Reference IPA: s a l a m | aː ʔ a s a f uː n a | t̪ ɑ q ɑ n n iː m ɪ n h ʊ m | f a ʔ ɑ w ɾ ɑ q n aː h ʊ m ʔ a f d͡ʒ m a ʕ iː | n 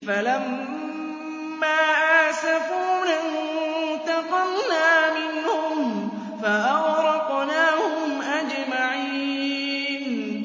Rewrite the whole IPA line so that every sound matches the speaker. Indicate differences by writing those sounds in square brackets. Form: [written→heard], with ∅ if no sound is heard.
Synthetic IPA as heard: [s→f] a l a m | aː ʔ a s a f uː n a | t̪ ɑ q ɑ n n [iː→aː] m ɪ n h ʊ m | f a ʔ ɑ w ɾ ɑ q n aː h ʊ m ʔ a [f→∅] d͡ʒ m a ʕ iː | n